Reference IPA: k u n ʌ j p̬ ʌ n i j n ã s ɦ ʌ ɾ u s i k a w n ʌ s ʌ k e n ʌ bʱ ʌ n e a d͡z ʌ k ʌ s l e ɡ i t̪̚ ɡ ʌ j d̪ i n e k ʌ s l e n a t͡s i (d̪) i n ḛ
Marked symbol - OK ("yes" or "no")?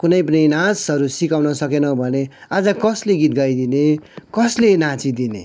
yes